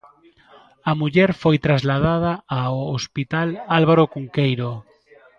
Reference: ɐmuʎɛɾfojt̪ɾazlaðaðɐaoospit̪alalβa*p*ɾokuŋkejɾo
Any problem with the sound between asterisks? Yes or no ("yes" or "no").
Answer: yes